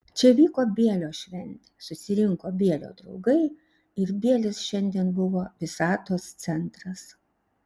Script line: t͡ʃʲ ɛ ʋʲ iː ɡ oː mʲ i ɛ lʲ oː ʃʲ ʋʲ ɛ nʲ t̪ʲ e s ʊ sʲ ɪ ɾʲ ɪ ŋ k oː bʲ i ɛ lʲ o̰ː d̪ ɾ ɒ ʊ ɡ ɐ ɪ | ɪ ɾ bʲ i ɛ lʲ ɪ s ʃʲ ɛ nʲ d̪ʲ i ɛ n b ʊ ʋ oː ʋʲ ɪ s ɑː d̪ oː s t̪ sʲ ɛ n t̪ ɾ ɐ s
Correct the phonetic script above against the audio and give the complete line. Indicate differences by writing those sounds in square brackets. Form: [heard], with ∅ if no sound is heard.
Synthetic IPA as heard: t͡ʃʲ ɛ ʋʲ iː [k] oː [bʲ] i ɛ lʲ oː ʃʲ ʋʲ ɛ nʲ t̪ʲ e s ʊ sʲ ɪ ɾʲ ɪ ŋ k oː bʲ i ɛ lʲ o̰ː d̪ ɾ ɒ ʊ ɡ ɐ ɪ | ɪ ɾ bʲ i ɛ lʲ ɪ s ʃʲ ɛ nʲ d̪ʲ i ɛ n b ʊ ʋ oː ʋʲ ɪ s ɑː [t̪] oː s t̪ sʲ ɛ n t̪ ɾ ɐ s